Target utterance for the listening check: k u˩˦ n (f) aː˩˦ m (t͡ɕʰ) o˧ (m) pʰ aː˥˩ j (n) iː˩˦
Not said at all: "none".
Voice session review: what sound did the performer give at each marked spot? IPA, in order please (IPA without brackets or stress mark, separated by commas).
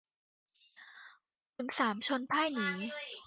s, t͡ɕʰ, n, n